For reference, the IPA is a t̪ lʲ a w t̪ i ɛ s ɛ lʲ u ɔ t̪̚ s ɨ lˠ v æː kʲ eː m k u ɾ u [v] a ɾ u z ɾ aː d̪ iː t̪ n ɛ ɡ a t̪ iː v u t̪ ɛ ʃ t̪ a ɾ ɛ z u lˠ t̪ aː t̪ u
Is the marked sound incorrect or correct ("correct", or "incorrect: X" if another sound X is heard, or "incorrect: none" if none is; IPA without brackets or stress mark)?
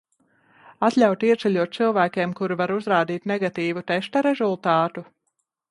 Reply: correct